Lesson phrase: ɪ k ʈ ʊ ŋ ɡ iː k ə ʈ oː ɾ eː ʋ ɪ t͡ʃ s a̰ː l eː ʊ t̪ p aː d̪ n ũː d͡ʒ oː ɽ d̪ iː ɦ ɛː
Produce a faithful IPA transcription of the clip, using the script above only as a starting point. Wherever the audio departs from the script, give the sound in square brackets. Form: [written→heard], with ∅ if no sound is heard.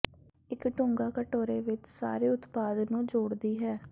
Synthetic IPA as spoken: ɪ k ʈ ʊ ŋ ɡ [iː→aː] k ə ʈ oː ɾ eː ʋ ɪ t͡ʃ s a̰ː [l→ɾ] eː ʊ t̪ p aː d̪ n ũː d͡ʒ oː ɽ d̪ iː ɦ ɛː